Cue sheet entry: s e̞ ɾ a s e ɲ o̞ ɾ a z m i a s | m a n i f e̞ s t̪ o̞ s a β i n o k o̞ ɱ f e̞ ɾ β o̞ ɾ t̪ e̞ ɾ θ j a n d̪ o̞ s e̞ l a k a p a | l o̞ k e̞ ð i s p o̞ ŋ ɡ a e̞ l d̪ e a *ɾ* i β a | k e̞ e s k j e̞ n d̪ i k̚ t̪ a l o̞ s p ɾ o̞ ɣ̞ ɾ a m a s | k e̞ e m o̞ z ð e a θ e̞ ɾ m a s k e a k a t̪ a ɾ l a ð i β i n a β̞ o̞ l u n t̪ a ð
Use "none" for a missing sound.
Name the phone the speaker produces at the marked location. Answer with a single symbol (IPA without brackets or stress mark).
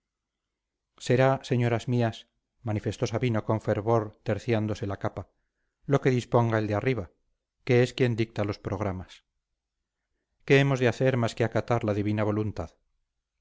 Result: r